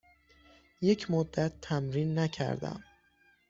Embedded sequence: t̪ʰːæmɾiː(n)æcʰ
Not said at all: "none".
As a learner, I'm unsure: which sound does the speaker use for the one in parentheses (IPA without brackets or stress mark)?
nː